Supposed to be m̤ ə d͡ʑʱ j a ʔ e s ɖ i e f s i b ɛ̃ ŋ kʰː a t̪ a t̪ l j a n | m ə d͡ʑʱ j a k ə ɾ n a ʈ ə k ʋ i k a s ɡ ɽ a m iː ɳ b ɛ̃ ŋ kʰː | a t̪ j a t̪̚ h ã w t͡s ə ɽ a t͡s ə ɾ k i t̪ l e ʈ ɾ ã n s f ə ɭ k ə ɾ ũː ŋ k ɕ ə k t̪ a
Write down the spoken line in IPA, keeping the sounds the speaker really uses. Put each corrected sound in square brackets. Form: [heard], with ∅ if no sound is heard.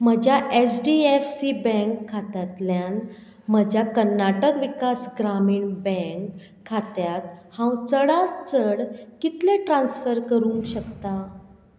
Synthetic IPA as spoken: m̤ ə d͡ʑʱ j a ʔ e s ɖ i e f s i b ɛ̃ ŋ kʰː a t̪ a t̪ l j a n | m ə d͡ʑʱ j a k ə ɾ n a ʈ ə k ʋ i k a s ɡ [ɾ] a m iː ɳ b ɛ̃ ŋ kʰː | a t̪ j a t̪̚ h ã w t͡s ə ɽ a t͡s ə [ɽ] k i t̪ l e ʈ ɾ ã n s f ə [ɾ] k ə ɾ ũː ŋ k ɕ ə k t̪ a

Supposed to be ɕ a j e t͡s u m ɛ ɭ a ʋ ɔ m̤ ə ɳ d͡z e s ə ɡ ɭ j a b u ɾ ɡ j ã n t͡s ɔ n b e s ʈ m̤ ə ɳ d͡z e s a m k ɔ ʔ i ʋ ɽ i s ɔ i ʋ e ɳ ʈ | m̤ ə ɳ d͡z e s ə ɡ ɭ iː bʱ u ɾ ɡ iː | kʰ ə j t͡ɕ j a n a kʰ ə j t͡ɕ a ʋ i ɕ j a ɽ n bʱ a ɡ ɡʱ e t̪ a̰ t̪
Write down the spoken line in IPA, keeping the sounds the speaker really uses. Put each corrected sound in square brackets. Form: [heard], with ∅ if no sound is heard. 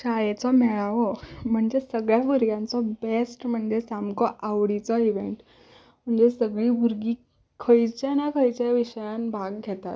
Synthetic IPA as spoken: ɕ a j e t͡s [ɔ] m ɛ ɭ a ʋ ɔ m̤ ə ɳ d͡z e s ə ɡ ɭ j a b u ɾ ɡ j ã n t͡s ɔ [∅] b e s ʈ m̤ ə ɳ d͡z e s a m k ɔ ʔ [a] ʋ ɽ i [t͡s] ɔ i ʋ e ɳ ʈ | m̤ ə ɳ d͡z e s ə ɡ ɭ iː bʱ u ɾ ɡ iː | kʰ ə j t͡ɕ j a n a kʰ ə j t͡ɕ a ʋ i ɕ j a [∅] n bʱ a ɡ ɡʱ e t̪ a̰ t̪

